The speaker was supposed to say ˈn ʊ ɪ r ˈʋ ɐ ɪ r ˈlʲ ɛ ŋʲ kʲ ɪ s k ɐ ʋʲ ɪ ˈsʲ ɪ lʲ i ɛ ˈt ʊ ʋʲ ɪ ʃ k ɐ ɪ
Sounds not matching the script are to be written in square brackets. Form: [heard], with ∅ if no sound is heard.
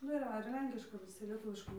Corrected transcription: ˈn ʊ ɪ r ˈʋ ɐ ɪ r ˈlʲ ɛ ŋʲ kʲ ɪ [ʃ] k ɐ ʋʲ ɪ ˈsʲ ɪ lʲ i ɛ ˈt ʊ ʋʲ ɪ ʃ k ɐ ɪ